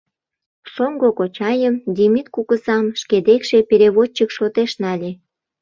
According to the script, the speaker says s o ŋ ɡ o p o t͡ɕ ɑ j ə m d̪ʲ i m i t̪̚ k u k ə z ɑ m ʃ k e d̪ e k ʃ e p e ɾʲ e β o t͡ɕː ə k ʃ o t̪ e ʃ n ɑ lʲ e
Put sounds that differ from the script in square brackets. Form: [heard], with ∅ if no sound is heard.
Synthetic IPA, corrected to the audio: s o ŋ ɡ o [k] o t͡ɕ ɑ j ə m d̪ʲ i m i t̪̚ k u k ə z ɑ m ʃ k e d̪ e k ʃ e p e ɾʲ e β o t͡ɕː ə k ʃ o t̪ e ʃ n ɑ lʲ e